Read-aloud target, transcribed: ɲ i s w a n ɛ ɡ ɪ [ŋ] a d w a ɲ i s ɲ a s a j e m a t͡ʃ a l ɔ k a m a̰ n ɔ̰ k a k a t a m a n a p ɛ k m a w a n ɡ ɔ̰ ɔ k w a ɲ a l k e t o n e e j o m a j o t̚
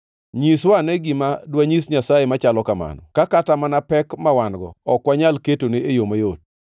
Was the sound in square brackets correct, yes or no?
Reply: no